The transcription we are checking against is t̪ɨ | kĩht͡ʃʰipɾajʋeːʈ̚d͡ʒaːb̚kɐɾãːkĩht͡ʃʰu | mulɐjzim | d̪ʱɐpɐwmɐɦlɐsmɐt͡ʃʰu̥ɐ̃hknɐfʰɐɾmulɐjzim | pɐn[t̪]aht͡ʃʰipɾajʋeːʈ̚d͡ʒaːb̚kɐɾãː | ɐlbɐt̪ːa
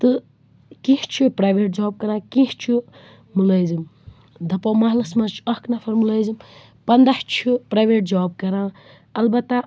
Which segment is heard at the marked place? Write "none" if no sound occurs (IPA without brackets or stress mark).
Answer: d̪